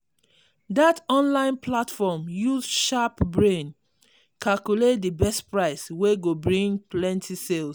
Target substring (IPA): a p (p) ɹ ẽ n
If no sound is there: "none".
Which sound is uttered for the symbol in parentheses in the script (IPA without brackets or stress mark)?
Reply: b